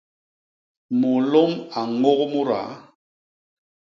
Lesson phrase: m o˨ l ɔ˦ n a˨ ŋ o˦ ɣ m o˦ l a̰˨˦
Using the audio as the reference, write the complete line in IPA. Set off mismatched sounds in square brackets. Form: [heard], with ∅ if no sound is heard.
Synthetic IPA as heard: m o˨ l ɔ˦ [m] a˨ ŋ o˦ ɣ m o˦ [ɾ] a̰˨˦

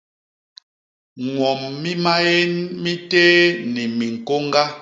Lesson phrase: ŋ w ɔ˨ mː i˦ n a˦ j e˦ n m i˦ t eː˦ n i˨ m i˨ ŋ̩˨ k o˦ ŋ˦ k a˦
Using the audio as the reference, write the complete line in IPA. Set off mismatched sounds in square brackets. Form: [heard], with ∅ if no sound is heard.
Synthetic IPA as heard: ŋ w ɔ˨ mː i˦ [m] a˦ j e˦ n m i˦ t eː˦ n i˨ m i˨ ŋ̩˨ k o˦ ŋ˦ [ɡ] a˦

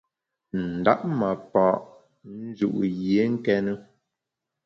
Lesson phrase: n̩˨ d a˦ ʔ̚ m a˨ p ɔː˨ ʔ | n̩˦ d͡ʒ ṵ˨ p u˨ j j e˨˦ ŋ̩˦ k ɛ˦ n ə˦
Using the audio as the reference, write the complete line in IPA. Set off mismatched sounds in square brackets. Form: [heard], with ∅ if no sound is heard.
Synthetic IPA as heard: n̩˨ d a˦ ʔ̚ m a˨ p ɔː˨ ʔ | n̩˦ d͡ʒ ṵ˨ [ʔ] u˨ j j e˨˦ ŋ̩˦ k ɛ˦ n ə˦

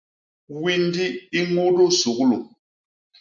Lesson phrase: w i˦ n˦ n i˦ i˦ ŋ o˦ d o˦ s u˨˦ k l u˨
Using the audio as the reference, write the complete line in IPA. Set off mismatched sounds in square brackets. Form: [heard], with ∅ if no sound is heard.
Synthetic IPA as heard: w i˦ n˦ [d] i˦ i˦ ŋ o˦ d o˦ s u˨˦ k l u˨

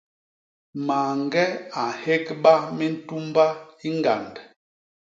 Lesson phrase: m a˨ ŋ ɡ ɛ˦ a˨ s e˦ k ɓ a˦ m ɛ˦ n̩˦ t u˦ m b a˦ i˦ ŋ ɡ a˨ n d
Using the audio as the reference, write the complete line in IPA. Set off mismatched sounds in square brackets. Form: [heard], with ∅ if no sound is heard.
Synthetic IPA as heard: m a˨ ŋ ɡ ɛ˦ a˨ [h] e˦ k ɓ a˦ m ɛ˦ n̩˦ t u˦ m b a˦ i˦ ŋ ɡ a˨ n d

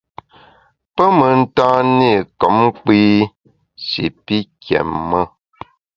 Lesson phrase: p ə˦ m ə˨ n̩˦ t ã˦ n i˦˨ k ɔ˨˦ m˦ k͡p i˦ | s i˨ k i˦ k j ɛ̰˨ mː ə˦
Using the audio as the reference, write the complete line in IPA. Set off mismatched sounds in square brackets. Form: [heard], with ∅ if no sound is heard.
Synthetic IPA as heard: p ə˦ m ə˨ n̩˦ t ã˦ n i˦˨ k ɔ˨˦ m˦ k͡p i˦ | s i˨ [p] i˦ k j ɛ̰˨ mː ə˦

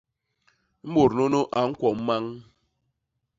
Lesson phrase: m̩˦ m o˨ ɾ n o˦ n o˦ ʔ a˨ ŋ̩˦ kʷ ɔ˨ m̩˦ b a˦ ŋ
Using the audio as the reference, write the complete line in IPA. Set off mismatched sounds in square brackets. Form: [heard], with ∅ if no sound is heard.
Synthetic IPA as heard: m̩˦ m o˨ ɾ n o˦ n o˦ ʔ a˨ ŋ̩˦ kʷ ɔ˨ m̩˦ [m] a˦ ŋ

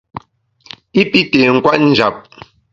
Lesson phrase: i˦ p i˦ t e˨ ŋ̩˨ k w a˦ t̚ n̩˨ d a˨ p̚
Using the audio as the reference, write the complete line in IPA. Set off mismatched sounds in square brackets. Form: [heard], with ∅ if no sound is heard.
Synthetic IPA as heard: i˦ p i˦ t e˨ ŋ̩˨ k w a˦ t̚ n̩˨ [d͡ʒ] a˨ p̚

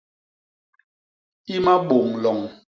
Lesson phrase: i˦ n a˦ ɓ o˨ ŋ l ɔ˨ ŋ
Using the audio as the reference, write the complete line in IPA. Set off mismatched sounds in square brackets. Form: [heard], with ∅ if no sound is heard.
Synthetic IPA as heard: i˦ [m] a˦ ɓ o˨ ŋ l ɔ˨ ŋ

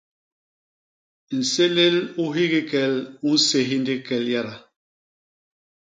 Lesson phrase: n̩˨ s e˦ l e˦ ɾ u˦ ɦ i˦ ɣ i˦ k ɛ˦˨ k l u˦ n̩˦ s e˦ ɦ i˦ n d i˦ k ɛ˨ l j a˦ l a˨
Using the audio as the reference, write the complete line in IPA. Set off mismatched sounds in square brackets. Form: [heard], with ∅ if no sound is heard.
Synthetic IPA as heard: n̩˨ s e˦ l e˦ [l] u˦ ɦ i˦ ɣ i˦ k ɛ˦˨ [∅] l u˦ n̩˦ s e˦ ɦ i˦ n d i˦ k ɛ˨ l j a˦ [ɾ] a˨

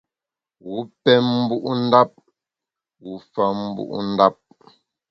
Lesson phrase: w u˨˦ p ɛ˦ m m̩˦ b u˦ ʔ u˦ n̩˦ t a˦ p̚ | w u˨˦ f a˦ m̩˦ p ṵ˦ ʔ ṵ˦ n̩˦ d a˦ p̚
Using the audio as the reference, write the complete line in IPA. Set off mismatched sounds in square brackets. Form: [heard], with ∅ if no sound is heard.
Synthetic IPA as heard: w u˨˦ p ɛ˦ m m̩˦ b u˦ ʔ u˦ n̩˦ [d] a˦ p̚ | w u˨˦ f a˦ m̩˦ [b] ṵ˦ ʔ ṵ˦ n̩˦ d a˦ p̚

